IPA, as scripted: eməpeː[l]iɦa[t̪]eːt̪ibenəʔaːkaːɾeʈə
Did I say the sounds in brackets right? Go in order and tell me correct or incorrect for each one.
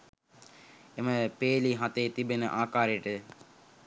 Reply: correct, correct

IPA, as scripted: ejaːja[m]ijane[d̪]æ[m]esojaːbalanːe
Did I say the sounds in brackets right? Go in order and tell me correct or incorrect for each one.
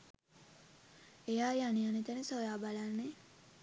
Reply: incorrect, incorrect, incorrect

